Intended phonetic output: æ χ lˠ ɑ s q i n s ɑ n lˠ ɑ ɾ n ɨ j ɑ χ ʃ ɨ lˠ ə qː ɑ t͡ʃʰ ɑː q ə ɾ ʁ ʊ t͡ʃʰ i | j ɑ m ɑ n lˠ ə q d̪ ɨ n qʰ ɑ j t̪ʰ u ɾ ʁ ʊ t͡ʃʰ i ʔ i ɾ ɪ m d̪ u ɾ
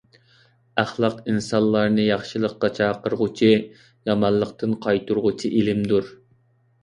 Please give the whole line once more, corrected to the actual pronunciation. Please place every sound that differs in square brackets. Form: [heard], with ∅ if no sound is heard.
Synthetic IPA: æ χ lˠ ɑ [∅] q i n s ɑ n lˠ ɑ ɾ n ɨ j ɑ χ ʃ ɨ lˠ ə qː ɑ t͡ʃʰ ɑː q ə ɾ ʁ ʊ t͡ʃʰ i | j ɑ m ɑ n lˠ ə q [t̪] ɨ n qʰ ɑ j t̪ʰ u ɾ ʁ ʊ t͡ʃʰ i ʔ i [l] ɪ m d̪ u ɾ